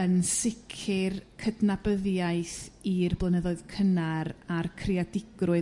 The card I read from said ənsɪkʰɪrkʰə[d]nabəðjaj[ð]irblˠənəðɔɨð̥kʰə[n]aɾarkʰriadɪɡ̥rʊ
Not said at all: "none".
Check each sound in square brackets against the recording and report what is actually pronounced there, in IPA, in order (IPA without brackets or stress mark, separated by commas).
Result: d, θ, n